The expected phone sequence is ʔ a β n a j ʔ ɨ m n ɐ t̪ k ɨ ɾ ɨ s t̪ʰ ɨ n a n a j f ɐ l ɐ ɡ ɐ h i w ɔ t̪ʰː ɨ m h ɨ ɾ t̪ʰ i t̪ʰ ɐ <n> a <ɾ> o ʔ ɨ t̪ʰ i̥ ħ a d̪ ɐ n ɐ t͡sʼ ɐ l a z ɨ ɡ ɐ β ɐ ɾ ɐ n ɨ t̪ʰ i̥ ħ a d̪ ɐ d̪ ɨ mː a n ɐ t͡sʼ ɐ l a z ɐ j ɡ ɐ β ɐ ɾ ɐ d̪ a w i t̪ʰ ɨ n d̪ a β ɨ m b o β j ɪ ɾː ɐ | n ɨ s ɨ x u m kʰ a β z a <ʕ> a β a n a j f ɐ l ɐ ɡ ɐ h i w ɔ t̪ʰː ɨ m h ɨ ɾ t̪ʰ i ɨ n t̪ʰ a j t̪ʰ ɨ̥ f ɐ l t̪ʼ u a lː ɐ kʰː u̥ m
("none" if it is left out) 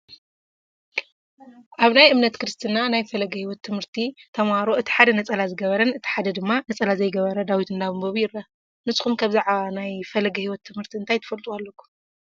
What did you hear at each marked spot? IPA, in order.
m, ɾ, ʕ

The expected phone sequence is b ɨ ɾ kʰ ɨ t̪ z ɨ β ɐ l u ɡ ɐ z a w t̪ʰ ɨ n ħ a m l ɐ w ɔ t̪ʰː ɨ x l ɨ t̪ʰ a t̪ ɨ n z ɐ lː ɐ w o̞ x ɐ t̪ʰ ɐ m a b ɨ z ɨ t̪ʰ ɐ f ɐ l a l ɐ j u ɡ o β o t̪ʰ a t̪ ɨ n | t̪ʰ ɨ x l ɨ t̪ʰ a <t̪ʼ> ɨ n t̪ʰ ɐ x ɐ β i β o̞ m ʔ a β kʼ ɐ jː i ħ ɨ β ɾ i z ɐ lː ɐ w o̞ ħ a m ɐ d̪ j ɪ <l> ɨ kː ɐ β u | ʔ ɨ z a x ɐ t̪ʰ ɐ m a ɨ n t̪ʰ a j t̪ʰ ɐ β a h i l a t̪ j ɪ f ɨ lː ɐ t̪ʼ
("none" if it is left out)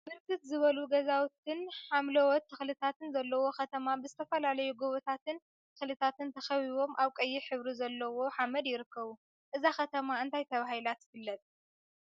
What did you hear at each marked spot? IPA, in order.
t̪, ɾ

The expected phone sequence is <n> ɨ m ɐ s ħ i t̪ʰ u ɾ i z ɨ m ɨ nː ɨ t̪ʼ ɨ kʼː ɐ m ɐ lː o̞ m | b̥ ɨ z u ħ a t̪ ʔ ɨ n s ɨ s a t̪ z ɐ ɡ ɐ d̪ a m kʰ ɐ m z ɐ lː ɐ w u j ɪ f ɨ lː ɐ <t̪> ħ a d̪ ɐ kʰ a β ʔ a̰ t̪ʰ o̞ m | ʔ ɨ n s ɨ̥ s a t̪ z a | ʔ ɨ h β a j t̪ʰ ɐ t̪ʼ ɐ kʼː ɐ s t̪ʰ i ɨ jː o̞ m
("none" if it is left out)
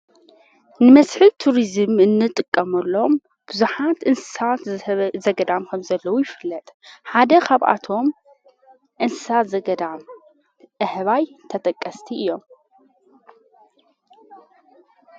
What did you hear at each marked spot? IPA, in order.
n, t̪ʼ

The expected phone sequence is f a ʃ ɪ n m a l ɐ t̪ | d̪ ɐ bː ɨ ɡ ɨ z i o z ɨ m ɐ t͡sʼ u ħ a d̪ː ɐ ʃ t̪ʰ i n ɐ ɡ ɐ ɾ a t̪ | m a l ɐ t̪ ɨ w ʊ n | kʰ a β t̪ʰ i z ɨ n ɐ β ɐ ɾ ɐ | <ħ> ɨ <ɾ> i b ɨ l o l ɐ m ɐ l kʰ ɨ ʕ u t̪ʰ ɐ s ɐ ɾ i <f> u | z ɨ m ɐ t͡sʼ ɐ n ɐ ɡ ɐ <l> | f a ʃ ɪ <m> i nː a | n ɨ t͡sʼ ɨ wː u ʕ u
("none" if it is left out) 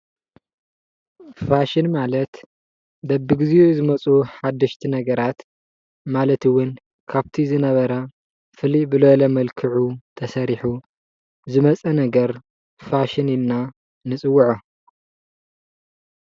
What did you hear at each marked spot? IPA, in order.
f, l, ħ, ɾ, n

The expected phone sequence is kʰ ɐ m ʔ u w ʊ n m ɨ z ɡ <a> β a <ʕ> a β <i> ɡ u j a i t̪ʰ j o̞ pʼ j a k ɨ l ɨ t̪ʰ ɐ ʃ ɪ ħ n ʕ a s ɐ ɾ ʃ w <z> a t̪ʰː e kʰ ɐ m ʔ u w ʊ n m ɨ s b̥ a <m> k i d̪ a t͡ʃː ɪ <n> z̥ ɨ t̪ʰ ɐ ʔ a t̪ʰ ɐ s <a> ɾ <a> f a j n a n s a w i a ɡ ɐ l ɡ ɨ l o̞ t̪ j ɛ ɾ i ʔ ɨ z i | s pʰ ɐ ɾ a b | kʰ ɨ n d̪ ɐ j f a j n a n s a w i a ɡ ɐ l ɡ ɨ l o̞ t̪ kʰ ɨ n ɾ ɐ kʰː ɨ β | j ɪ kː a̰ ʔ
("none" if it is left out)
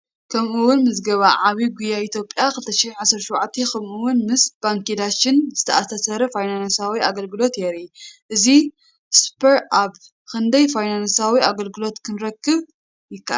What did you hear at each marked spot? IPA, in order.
ɐ, ʕ, i, ʕ, ŋ, n, ɐ, ɐ

